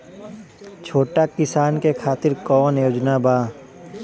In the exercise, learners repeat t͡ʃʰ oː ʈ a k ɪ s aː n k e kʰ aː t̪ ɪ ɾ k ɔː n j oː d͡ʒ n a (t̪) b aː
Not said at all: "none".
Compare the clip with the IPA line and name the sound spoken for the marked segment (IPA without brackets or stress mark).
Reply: none